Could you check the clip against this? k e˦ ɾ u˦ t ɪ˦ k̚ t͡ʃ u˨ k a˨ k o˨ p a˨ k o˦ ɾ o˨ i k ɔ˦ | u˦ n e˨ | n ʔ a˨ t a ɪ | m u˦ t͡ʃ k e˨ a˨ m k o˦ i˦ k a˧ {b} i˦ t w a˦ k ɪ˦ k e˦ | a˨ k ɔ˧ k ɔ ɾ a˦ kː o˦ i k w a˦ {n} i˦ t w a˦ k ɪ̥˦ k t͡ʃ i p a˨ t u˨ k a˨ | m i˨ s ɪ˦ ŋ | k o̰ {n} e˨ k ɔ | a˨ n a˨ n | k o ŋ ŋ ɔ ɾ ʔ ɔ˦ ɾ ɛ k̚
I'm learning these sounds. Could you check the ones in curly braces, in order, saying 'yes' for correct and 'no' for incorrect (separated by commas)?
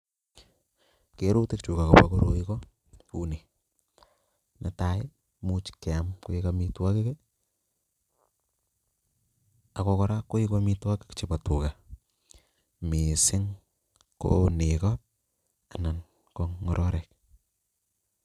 no, no, yes